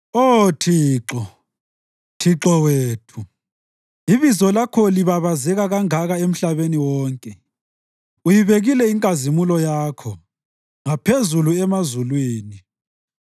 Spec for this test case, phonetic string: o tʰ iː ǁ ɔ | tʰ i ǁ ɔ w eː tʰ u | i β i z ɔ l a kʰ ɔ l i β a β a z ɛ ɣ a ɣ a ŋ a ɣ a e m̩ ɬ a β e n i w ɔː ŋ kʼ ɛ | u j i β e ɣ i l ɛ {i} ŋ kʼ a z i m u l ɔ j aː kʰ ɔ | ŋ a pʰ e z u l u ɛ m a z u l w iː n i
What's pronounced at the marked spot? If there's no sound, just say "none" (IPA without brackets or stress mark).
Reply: i